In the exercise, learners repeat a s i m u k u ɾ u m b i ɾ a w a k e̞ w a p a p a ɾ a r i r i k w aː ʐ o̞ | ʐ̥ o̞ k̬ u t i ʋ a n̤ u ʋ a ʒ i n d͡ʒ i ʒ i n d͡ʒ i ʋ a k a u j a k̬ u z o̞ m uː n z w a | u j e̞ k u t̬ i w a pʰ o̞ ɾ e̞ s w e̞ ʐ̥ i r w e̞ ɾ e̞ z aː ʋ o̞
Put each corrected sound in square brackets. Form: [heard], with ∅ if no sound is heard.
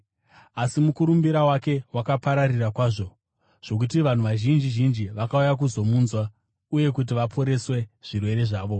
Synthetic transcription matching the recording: a s i m u k u ɾ u m b i ɾ a w a k e̞ w a [k] a p a ɾ a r i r [a] k w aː ʐ o̞ | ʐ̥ o̞ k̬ u t i ʋ a n̤ u ʋ a ʒ i n d͡ʒ i ʒ i n d͡ʒ i ʋ a k a u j a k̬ u z o̞ m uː n z w a | u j e̞ k u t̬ i [ʋ] a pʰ o̞ ɾ e̞ s w e̞ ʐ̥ i r w e̞ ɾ e̞ [ʐ] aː ʋ o̞